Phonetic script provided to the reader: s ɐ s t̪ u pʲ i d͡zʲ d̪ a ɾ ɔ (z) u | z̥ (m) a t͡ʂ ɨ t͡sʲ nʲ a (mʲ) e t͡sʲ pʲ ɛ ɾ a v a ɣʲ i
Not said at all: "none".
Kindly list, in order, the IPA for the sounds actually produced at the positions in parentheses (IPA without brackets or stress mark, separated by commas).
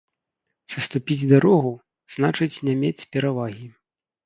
ɣ, n, mʲ